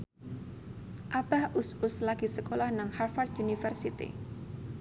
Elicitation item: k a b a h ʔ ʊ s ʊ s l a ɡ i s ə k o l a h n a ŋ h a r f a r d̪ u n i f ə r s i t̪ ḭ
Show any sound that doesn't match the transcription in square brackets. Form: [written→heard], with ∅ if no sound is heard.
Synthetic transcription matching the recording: [k→ʔ] a b a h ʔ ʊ s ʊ s l a ɡ i s ə k o l a h n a ŋ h a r f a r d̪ u n i f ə r s i t̪ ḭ